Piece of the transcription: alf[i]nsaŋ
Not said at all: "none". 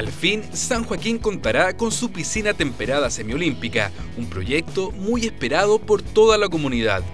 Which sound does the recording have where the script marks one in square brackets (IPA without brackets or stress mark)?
i